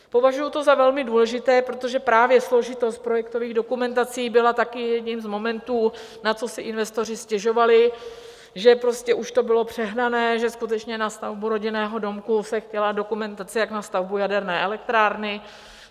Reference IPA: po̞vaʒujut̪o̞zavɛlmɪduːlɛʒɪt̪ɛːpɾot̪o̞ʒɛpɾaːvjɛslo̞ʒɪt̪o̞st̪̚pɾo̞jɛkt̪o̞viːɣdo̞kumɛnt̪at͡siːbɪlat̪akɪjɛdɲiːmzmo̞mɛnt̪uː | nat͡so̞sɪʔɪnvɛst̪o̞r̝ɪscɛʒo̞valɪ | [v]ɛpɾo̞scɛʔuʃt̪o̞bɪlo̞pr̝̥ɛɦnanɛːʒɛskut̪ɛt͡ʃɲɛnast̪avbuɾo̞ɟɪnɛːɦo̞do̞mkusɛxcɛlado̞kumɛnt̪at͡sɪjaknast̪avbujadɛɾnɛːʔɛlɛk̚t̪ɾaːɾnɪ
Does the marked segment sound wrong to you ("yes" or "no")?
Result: yes